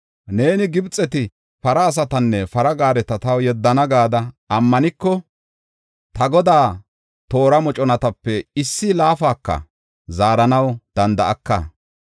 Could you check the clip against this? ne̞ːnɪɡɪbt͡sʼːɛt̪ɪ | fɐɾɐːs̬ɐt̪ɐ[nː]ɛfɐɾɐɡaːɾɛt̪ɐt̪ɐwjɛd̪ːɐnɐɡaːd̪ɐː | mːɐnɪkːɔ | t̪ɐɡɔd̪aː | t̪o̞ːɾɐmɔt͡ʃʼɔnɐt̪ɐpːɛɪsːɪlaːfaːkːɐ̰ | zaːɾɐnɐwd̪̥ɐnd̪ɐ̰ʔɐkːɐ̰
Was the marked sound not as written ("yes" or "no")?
no